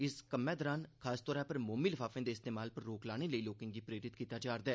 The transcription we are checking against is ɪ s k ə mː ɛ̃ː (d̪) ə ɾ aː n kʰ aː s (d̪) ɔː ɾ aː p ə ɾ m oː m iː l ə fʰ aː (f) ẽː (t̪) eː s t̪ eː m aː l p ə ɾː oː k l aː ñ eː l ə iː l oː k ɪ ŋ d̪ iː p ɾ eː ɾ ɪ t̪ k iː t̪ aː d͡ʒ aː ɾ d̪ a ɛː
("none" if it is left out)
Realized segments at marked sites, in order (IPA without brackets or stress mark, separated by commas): d̪, t̪, f, d̪